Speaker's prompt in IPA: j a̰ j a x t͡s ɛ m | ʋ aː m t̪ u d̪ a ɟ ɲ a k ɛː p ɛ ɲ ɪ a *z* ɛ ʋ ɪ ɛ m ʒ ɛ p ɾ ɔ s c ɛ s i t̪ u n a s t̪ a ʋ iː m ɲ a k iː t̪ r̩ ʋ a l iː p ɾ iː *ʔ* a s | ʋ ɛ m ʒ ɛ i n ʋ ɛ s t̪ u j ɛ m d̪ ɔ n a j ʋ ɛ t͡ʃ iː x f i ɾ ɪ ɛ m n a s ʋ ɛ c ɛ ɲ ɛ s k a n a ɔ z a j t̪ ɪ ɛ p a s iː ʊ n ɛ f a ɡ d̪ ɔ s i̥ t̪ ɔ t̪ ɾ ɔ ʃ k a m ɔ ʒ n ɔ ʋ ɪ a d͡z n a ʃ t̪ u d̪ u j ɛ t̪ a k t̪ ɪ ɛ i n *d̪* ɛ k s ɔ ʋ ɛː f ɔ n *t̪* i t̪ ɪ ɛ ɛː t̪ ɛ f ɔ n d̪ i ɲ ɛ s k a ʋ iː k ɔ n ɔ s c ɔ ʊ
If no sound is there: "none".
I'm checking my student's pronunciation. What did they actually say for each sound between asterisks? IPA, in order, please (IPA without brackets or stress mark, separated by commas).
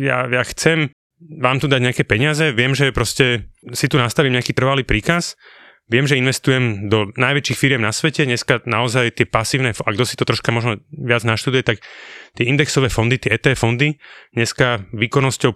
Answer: z, k, d̪, d̪